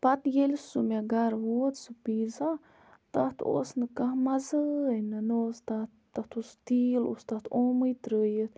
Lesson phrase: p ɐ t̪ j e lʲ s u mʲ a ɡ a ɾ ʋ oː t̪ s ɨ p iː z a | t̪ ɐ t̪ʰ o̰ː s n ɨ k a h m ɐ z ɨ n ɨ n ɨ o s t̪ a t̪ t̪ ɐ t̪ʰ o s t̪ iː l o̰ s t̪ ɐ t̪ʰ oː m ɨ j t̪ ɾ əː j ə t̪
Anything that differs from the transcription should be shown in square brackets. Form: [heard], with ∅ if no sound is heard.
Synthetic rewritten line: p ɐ t̪ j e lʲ s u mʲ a ɡ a ɾ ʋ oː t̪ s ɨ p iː z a | t̪ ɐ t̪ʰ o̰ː s n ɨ k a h m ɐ z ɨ n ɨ n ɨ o s t̪ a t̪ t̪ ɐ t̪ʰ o s t̪ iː l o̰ s t̪ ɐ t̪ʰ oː m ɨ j t̪ ɾ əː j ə t̪